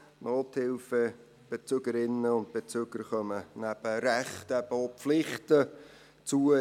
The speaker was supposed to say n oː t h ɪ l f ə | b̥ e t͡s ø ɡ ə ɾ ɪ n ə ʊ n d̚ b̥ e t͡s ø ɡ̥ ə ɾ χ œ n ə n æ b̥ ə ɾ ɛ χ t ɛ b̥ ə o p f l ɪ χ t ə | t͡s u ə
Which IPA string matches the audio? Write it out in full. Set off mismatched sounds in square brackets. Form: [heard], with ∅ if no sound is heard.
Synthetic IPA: n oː t h ɪ l f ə | b̥ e t͡s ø ɡ ə ɾ ɪ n ə ʊ n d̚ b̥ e t͡s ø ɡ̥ ə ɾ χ œ [m] ə n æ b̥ ə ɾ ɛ χ t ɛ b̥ ə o p f l ɪ χ t ə | t͡s u ə